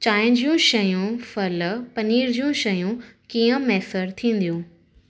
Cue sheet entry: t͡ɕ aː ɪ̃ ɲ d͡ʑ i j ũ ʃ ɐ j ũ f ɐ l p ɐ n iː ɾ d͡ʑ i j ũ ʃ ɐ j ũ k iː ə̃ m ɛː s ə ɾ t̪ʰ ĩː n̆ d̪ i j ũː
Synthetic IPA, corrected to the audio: t͡ɕ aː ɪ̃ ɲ d͡ʑ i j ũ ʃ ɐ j ũ f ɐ l p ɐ n iː ɾ d͡ʑ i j ũ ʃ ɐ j ũ k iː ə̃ m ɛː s ə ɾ t̪ʰ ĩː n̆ d̪ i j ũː